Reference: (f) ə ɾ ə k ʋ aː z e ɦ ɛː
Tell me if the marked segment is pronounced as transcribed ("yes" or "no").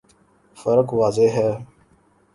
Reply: yes